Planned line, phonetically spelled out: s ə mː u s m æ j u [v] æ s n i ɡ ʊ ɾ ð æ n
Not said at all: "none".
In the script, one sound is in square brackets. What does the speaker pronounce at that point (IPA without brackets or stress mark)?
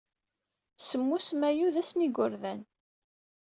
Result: ð